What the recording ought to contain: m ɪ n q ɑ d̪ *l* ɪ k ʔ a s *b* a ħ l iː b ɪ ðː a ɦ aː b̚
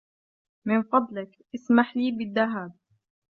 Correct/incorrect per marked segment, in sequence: correct, incorrect

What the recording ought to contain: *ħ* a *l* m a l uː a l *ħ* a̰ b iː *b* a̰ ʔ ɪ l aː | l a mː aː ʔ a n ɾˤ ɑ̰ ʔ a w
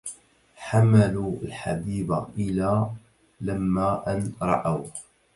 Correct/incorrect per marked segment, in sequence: correct, incorrect, correct, correct

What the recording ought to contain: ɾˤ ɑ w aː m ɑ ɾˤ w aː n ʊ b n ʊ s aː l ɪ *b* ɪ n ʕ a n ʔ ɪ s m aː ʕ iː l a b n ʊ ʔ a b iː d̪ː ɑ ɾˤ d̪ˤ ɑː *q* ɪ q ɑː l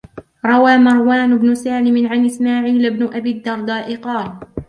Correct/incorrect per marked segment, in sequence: incorrect, incorrect

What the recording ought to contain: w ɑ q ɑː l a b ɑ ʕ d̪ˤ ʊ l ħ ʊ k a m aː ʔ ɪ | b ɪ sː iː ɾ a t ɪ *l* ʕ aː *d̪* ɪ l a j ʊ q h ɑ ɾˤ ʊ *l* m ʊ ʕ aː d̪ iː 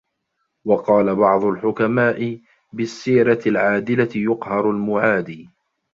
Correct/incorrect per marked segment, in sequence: correct, correct, correct

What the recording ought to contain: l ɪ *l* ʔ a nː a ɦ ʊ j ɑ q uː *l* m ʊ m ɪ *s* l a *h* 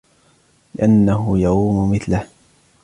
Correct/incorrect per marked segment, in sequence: incorrect, incorrect, incorrect, correct

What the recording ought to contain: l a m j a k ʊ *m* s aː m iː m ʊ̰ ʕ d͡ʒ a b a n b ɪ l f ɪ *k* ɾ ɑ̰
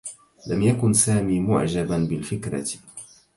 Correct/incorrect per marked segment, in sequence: incorrect, correct

